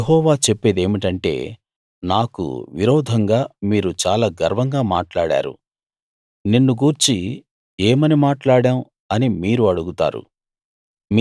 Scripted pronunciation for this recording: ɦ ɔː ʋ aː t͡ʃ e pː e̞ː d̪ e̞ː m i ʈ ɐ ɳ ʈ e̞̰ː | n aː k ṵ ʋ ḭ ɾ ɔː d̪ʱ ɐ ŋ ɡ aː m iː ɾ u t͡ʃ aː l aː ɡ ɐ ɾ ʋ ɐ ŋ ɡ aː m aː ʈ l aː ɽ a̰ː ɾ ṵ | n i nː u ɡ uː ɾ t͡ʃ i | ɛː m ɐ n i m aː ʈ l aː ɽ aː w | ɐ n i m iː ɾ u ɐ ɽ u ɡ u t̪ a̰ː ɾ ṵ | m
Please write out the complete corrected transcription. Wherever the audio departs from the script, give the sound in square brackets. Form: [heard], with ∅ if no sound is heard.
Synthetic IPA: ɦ ɔː ʋ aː t͡ʃ e pː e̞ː d̪ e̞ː m i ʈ ɐ ɳ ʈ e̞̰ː | n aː k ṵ ʋ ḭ ɾ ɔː d̪ʱ ɐ ŋ ɡ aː m iː ɾ u t͡ʃ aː l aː ɡ ɐ ɾ ʋ ɐ ŋ ɡ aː m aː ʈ l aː ɽ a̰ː ɾ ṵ | n i nː u ɡ uː ɾ t͡ʃ i | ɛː m ɐ n i m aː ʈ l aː ɽ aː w | ɐ n i m iː ɾ u ɐ ɽ u ɡ u t̪ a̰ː ɾ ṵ | m

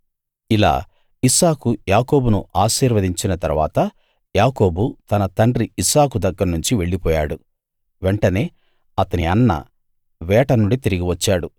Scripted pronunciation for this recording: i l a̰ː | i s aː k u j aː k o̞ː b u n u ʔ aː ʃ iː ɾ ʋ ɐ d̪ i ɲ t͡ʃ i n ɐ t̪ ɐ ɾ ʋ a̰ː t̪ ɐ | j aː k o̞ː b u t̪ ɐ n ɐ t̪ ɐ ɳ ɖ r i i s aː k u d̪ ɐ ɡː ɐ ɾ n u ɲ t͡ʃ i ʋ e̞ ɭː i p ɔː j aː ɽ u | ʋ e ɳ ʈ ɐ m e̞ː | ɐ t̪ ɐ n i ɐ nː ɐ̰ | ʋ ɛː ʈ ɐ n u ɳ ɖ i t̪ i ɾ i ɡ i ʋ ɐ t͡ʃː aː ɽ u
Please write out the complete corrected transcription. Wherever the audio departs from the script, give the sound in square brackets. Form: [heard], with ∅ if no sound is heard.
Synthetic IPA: i l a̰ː | i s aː k u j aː k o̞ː b u n u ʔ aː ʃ iː ɾ ʋ ɐ d̪ i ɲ t͡ʃ i n ɐ t̪ ɐ ɾ ʋ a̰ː t̪ ɐ | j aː k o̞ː b u t̪ ɐ n ɐ t̪ ɐ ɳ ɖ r i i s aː k u d̪ ɐ ɡː ɐ ɾ n u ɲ t͡ʃ i ʋ e̞ ɭː i p ɔː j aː ɽ u | ʋ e ɳ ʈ ɐ [n] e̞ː | ɐ t̪ ɐ n i ɐ nː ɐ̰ | ʋ ɛː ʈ ɐ n u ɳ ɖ i t̪ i ɾ i ɡ i ʋ ɐ t͡ʃː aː ɽ u

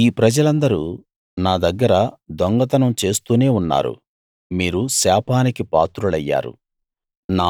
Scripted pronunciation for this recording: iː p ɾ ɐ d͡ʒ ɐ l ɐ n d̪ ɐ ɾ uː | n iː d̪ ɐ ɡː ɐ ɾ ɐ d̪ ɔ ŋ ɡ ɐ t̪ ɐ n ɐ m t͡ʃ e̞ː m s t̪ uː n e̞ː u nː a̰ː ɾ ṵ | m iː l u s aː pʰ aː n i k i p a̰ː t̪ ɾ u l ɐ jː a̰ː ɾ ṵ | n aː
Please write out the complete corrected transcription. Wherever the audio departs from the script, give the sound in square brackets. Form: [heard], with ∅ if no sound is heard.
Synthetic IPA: iː p ɾ ɐ d͡ʒ ɐ l ɐ n d̪ ɐ ɾ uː | n [aː] d̪ ɐ ɡː ɐ ɾ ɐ d̪ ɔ ŋ ɡ ɐ t̪ ɐ n ɐ m t͡ʃ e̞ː [∅] s t̪ uː n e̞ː u nː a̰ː ɾ ṵ | m iː [ɾ] u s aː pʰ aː n i k i p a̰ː t̪ ɾ u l ɐ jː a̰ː ɾ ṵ | n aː

